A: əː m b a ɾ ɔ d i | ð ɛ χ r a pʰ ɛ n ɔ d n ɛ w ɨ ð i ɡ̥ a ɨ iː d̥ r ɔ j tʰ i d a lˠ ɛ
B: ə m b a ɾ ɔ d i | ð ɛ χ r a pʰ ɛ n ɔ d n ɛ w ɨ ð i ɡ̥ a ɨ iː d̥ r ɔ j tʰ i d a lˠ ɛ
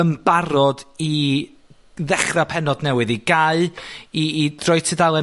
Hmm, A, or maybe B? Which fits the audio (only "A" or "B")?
B